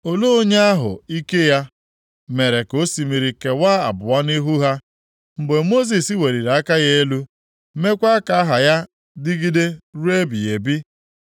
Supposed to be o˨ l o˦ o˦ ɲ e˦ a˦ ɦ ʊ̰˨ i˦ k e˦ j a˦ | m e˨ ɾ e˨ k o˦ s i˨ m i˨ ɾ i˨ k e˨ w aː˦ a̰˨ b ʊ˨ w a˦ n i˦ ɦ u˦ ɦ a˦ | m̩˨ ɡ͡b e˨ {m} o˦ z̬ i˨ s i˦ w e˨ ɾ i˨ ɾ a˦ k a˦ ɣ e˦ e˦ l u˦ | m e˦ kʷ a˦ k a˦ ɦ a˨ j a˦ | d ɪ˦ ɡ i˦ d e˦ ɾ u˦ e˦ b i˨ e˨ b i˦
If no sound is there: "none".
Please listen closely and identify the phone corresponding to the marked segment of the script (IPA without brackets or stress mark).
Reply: m